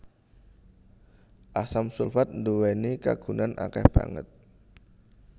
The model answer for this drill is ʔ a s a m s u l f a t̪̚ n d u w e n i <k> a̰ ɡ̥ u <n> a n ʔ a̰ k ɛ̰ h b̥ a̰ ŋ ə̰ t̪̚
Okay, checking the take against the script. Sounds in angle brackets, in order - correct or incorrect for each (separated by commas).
correct, correct